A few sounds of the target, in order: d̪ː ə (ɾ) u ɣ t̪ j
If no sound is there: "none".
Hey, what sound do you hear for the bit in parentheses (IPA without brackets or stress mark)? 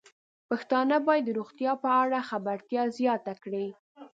ɾ